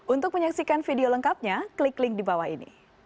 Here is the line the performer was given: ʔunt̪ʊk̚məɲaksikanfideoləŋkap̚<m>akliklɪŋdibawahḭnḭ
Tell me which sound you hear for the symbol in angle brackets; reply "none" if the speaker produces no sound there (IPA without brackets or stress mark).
ɲ